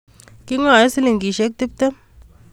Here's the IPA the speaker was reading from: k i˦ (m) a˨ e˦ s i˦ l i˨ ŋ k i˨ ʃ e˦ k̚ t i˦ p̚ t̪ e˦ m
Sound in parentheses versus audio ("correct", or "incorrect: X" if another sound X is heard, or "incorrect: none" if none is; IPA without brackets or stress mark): incorrect: ŋ